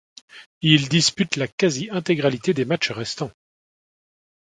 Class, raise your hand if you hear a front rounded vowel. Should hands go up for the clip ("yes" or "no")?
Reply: yes